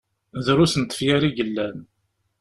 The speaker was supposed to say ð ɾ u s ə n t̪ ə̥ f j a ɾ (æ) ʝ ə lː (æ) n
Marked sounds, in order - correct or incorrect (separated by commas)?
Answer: incorrect, correct